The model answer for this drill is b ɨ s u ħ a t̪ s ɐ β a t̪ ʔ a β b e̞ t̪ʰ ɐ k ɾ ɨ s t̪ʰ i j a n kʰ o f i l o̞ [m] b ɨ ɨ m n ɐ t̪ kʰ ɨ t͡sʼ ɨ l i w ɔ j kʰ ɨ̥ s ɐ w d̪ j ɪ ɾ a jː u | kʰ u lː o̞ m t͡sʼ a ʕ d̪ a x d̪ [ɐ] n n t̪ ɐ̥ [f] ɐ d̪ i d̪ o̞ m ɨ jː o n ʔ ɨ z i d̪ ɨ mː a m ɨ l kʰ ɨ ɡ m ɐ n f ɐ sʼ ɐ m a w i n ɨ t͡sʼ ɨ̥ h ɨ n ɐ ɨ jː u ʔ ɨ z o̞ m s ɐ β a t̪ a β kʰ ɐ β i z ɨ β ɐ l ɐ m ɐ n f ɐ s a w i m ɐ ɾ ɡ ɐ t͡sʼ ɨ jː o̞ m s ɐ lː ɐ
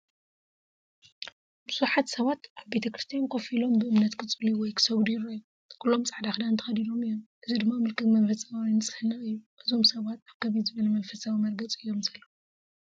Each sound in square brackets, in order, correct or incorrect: correct, incorrect: a, incorrect: x

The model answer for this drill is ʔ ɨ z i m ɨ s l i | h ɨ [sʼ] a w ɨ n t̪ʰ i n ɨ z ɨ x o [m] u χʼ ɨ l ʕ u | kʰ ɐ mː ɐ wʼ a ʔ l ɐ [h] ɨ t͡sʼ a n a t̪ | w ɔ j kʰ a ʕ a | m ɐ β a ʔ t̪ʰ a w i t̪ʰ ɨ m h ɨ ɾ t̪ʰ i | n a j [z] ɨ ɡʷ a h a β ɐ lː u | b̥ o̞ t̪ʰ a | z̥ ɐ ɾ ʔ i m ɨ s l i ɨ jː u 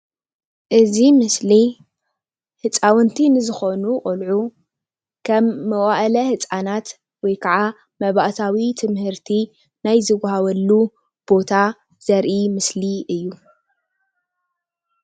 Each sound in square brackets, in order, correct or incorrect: incorrect: t͡sʼ, incorrect: n, correct, correct

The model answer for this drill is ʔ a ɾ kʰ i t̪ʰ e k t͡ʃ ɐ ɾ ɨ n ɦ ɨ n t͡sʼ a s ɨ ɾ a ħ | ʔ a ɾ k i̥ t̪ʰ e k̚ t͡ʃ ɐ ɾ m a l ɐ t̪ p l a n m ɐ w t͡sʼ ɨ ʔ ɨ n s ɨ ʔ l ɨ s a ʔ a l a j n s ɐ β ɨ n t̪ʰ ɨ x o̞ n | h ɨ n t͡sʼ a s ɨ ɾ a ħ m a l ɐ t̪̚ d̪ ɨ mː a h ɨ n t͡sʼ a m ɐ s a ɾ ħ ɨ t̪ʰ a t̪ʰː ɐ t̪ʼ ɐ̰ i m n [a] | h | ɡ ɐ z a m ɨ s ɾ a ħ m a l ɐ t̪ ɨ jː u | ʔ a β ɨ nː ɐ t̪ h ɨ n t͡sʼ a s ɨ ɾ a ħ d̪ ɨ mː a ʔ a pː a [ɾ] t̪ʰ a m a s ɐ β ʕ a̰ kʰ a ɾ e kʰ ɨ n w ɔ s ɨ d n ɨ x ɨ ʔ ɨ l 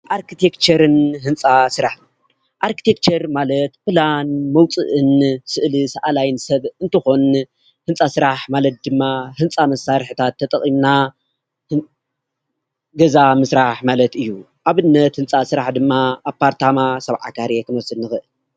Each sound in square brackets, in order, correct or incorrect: correct, correct

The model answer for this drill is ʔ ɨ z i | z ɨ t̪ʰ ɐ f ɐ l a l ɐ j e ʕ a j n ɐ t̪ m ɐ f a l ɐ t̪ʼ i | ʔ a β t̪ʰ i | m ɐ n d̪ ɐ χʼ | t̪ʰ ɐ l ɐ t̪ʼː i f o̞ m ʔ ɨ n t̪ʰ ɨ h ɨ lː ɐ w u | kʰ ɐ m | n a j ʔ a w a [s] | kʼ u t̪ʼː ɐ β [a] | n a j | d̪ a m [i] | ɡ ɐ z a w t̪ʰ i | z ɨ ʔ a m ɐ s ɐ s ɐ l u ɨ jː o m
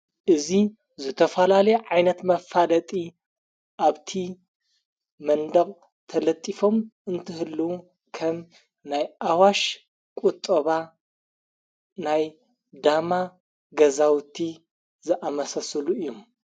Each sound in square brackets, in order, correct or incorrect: incorrect: ʃ, correct, incorrect: a

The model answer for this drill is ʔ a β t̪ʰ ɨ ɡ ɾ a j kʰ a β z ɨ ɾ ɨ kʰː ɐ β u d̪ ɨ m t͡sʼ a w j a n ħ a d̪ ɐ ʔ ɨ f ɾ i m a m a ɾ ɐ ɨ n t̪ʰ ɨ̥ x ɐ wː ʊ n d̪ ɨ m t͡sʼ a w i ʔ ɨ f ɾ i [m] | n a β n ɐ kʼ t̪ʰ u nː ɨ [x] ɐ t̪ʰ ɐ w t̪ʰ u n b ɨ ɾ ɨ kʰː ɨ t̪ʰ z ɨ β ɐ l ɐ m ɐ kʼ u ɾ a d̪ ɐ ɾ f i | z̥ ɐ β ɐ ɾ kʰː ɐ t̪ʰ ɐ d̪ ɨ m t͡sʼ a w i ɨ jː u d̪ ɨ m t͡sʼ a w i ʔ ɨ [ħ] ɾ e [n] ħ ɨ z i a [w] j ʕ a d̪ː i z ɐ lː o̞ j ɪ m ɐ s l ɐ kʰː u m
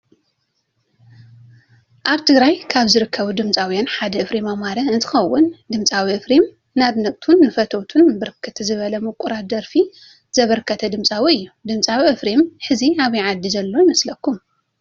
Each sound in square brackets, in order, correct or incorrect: correct, incorrect: f, incorrect: f, incorrect: m, incorrect: β

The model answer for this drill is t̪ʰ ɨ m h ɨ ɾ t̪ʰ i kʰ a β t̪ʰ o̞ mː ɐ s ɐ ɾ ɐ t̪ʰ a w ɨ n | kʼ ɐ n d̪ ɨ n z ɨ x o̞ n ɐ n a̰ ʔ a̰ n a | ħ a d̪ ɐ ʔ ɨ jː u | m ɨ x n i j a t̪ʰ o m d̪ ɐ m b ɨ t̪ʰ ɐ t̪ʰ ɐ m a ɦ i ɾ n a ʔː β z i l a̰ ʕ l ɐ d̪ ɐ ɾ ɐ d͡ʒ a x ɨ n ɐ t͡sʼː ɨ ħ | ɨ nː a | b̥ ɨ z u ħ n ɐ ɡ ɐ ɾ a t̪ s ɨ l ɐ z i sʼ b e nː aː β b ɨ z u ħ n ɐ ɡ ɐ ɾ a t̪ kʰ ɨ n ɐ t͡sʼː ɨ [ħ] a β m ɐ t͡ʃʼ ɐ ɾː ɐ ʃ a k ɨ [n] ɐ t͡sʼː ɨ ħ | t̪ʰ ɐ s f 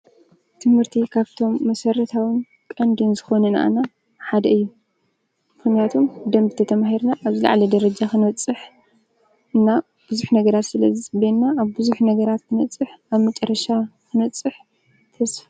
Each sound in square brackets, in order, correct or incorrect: correct, correct

